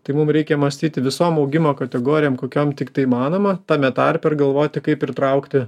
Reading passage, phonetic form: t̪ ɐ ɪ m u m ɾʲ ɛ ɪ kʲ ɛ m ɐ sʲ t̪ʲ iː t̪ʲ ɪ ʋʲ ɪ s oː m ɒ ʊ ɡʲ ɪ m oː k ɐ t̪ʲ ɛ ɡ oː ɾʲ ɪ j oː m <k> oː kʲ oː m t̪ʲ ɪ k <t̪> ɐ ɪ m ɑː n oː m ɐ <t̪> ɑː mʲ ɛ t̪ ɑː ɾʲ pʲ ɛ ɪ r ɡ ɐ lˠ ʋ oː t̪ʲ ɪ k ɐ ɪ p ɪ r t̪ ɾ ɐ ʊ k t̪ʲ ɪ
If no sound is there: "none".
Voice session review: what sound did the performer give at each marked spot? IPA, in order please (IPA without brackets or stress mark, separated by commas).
k, t̪, t̪